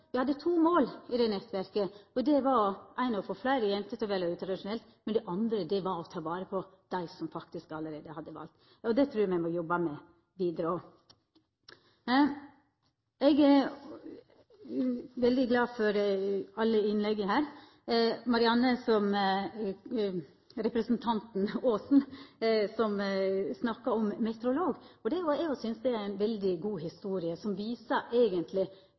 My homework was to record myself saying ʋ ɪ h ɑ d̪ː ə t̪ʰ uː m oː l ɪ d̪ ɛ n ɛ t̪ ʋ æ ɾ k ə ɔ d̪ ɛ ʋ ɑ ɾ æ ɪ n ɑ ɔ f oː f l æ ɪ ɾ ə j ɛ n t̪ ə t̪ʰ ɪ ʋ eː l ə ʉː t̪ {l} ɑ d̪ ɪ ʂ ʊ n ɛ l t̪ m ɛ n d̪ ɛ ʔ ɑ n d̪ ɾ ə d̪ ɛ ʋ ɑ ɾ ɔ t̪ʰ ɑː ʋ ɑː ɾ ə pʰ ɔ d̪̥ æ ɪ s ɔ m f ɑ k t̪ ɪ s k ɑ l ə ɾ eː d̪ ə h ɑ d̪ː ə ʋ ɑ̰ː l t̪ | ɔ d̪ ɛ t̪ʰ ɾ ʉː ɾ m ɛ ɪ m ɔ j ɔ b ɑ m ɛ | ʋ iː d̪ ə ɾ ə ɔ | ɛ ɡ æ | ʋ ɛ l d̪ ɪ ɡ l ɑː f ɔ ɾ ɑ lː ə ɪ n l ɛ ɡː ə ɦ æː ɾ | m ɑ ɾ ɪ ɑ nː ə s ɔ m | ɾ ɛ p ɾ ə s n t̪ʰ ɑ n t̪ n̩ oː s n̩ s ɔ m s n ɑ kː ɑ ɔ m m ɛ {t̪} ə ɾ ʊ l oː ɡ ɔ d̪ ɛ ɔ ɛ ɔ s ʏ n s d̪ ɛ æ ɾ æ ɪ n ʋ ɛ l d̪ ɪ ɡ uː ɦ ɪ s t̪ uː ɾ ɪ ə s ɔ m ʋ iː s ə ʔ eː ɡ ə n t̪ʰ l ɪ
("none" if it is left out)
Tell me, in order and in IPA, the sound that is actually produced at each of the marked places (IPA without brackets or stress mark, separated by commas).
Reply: ɾ, t̪